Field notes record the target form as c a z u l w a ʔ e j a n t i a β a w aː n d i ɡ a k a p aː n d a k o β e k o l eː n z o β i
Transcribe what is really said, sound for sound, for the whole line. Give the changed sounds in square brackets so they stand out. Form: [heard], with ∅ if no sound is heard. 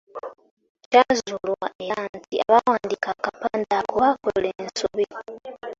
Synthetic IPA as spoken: c a z u l w a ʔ e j a n t i a β a w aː n d i [k] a k a p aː n d a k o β [a] k o l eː n [s] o β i